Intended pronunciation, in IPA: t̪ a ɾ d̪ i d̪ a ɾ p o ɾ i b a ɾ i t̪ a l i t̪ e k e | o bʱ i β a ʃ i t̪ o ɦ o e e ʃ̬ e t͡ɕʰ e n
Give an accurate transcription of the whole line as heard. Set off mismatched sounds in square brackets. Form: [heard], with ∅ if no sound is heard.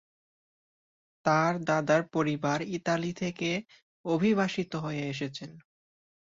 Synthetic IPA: t̪ a ɾ d̪ [a] d̪ a ɾ p o ɾ i b a ɾ i t̪ a l i [t̪ʰ] e k e | o bʱ i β a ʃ i t̪ o ɦ o e e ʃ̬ e t͡ɕʰ e n

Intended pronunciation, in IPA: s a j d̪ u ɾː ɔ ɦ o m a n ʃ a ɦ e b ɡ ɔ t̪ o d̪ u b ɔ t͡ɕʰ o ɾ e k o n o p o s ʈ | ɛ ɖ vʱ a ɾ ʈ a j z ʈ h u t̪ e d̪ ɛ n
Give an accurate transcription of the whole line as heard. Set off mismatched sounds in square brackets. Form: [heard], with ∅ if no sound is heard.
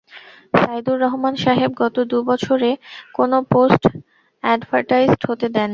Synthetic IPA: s a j d̪ u ɾː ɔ ɦ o m a n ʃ a ɦ e b ɡ ɔ t̪ o d̪ u b ɔ t͡ɕʰ o ɾ e k o n o p o s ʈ | ɛ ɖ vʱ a ɾ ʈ a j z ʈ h [o] t̪ e d̪ ɛ n

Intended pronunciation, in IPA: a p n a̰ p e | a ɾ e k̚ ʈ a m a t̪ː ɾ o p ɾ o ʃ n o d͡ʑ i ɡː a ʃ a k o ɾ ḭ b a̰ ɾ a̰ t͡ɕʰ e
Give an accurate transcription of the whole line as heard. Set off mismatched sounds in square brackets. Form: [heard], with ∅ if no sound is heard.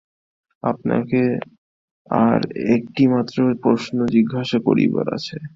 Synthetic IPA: a p n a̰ [k] e | a ɾ e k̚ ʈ [i] m a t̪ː ɾ o p ɾ o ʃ n o d͡ʑ i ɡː a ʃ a k o ɾ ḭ b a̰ ɾ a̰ t͡ɕʰ e

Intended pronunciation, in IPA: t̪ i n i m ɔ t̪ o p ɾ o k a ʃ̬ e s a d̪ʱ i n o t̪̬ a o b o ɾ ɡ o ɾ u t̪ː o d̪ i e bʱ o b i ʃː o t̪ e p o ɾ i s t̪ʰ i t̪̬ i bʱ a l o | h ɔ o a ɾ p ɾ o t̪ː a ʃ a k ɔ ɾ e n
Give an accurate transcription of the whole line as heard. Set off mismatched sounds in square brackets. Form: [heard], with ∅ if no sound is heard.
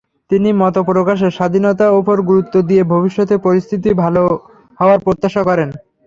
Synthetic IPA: t̪ i n i m ɔ t̪ o p ɾ o k a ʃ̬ e [ʃ] a d̪ʱ i n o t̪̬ a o [p] o ɾ ɡ [u] ɾ u t̪ː o d̪ i e bʱ o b i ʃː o t̪ e p o ɾ i s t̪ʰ i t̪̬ i bʱ a l o | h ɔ o a ɾ p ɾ o t̪ː a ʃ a k ɔ ɾ e n

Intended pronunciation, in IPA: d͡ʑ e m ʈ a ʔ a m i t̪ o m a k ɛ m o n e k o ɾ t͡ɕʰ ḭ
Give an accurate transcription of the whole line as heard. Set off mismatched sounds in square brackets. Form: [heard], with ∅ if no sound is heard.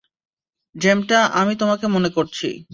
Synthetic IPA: d͡ʑ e m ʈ a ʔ a m i t̪ o m a k [e] m o n e k o ɾ t͡ɕʰ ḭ

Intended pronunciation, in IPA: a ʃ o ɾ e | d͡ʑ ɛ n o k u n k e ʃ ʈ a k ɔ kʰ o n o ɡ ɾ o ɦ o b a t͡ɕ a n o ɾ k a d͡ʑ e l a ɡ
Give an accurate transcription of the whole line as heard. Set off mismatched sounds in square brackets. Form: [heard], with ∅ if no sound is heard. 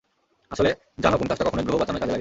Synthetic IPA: a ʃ o [l] e | d͡ʑ [a] n o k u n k [a] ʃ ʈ a k ɔ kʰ o n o ɡ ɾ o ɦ o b a t͡ɕ a n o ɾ k a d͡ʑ e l a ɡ

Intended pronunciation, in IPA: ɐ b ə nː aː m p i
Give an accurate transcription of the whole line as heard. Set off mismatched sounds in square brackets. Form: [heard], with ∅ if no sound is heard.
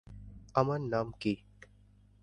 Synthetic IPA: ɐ [m] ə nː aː m [k] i

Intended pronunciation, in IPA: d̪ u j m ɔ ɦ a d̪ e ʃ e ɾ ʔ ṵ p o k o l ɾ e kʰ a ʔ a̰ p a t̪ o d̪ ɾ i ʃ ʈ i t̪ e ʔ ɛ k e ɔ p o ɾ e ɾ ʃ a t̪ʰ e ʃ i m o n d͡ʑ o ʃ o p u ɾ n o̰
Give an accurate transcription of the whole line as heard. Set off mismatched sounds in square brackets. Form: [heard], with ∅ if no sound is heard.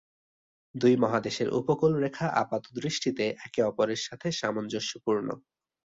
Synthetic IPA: d̪ u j m ɔ ɦ a d̪ e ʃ e ɾ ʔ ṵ p o k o l ɾ e kʰ a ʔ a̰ p a t̪ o d̪ ɾ i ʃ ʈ i t̪ e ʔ ɛ k e ɔ p o ɾ e ɾ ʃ a t̪ʰ e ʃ [a] m o n d͡ʑ o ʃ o p u ɾ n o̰

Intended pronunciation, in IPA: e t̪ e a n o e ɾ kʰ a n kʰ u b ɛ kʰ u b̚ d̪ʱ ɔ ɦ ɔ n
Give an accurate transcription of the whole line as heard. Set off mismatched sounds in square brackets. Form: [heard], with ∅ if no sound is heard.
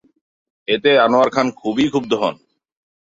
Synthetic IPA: e t̪ e a n o [a] ɾ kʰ a n kʰ u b [i] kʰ u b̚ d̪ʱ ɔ ɦ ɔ n

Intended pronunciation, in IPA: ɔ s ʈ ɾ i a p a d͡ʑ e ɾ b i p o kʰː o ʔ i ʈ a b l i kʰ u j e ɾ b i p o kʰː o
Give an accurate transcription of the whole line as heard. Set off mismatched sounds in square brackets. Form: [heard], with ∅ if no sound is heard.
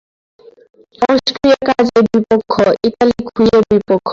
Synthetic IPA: ɔ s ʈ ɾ i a [k] a d͡ʑ e ɾ b i p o kʰː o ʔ i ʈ a [∅] l i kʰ u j e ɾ b i p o kʰː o

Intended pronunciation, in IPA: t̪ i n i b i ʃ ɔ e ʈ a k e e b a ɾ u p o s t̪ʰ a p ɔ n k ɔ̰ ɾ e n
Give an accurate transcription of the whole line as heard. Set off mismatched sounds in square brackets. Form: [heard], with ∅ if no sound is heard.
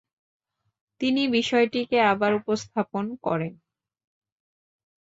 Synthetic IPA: t̪ i n i b i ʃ ɔ e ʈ [i] k e [a] b a ɾ u p o s t̪ʰ a p [o] n k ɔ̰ ɾ e n

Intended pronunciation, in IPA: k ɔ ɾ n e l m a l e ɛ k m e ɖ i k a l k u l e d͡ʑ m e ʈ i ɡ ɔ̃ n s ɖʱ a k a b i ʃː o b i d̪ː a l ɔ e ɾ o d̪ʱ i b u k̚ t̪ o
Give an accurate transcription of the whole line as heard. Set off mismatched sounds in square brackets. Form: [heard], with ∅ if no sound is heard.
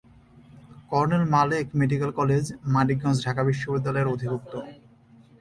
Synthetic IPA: k ɔ ɾ n e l m a l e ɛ k m e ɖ i k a l k [ɔ] l e d͡ʑ m [a] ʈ i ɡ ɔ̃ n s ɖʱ a k a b i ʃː o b i d̪ː a l ɔ e ɾ o d̪ʱ i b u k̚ t̪ o

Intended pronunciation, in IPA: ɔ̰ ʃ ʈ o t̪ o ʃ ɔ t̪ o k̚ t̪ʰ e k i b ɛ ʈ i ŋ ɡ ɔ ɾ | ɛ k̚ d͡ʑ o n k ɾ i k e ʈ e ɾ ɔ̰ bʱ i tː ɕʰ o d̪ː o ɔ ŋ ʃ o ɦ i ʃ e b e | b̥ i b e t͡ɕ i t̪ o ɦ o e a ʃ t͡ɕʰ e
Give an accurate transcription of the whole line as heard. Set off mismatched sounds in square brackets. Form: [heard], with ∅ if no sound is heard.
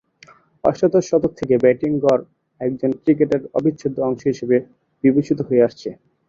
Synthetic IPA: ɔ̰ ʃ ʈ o t̪ o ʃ ɔ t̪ o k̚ t̪ʰ e k [e] b ɛ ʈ i ŋ ɡ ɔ ɾ | ɛ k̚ d͡ʑ o n k ɾ i k e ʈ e ɾ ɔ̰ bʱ i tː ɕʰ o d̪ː o ɔ ŋ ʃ o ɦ i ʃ e b e | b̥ i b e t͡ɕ i t̪ o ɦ o e a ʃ t͡ɕʰ e

